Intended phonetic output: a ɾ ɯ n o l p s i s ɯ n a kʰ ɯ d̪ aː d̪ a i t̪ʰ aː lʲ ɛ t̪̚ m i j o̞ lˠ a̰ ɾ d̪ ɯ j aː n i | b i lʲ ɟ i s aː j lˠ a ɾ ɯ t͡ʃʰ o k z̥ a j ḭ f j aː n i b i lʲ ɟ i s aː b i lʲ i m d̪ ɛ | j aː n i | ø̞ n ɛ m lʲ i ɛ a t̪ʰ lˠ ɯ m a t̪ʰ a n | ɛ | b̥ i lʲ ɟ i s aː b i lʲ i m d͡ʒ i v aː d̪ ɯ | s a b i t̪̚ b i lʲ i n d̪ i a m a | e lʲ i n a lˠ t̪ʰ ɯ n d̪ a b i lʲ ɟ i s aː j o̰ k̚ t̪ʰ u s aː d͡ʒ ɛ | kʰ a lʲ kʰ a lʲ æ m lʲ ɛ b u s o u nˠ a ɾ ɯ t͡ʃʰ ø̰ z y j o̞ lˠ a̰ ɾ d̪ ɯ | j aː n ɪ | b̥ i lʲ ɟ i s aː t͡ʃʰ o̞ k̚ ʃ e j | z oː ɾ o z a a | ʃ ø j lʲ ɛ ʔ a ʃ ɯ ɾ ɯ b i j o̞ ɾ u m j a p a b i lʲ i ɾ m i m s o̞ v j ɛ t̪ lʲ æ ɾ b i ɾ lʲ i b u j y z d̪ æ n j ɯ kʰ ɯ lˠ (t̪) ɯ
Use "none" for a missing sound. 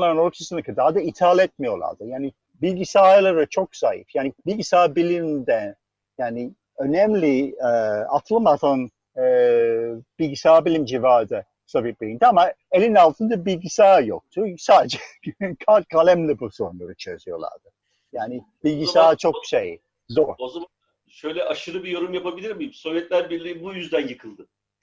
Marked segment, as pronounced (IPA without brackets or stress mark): d̪